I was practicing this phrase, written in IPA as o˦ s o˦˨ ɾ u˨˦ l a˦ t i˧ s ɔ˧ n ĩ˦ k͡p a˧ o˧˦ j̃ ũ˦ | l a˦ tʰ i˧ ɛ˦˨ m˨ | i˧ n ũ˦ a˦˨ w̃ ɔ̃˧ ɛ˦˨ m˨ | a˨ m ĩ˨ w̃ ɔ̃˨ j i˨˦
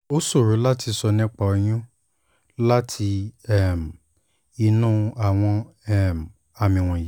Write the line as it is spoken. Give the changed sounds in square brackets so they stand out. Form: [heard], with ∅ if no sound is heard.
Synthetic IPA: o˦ s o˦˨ ɾ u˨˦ l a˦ t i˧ s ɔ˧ n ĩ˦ k͡p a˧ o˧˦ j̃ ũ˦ | l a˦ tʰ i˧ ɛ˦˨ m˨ | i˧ n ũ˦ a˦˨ w̃ ɔ̃˧ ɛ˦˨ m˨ | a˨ m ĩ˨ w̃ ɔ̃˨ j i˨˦